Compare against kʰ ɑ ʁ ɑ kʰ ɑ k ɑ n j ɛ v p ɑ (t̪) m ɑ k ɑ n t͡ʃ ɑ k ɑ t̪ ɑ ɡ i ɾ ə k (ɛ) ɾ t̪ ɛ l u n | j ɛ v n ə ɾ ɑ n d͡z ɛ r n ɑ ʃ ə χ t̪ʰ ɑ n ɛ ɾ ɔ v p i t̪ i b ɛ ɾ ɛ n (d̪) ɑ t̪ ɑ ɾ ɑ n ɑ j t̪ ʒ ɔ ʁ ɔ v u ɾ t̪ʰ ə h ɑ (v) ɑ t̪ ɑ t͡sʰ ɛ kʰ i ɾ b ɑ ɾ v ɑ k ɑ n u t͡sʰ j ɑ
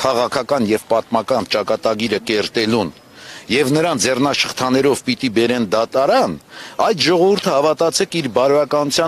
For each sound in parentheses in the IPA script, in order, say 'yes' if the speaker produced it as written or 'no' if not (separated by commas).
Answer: yes, yes, yes, yes